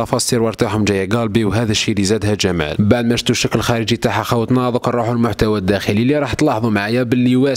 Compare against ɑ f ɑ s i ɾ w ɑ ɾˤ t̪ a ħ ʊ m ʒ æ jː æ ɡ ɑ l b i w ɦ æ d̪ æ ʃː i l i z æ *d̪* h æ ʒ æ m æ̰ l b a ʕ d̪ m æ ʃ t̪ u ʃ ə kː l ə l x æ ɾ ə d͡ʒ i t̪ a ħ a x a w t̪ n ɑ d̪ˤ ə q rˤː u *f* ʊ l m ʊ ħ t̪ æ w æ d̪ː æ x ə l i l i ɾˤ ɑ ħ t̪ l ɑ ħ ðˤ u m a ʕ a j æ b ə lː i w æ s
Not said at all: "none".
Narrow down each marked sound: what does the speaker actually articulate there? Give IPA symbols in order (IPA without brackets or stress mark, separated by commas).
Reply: d̪, ħ